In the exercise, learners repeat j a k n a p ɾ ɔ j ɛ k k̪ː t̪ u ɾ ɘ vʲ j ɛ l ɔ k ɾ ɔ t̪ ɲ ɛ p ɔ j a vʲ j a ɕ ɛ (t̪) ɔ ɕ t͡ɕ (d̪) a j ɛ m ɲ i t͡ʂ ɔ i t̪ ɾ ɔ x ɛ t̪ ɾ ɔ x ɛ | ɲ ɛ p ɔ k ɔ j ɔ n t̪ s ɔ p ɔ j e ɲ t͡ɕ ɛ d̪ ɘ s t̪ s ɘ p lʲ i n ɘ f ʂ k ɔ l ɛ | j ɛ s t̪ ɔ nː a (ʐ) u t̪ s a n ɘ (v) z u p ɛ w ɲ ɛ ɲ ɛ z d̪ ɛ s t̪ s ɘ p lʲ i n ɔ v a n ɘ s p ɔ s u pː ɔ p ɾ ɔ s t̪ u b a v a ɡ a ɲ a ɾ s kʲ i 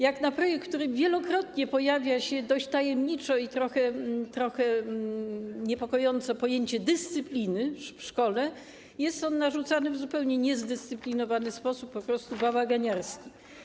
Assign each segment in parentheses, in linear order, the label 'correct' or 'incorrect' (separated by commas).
incorrect, incorrect, correct, correct